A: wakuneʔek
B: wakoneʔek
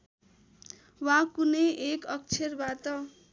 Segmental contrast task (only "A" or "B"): A